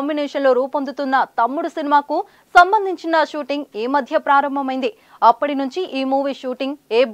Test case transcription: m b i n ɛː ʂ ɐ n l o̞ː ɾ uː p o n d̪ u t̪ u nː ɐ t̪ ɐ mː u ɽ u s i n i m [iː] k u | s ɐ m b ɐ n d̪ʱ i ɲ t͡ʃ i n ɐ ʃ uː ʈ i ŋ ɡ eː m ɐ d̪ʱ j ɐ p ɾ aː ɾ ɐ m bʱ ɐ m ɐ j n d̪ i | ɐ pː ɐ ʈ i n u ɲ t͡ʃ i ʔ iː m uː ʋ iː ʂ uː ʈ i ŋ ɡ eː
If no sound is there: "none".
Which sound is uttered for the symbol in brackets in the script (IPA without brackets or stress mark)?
aː